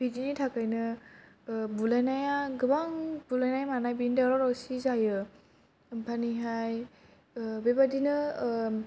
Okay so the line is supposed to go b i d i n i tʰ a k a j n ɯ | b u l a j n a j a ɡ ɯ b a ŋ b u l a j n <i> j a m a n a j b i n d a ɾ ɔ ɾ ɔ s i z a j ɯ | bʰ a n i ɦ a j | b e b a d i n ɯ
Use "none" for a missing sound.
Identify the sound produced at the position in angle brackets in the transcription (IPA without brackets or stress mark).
a